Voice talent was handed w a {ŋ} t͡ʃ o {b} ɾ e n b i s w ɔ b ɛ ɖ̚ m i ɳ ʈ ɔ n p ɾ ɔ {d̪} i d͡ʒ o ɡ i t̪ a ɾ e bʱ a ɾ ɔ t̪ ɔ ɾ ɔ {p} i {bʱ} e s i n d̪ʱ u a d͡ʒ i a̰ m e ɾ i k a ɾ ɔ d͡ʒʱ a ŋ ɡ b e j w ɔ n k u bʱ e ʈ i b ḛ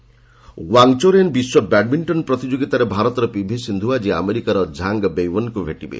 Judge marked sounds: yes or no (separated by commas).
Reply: yes, no, no, yes, yes